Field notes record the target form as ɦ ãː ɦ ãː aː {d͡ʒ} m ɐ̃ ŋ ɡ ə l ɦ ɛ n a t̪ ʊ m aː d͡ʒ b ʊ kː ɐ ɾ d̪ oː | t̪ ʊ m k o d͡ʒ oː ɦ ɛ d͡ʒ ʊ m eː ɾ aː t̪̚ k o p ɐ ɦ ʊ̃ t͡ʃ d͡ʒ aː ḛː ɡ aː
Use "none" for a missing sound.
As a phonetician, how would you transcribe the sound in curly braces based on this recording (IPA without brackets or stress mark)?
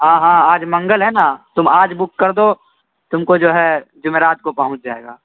d͡ʒ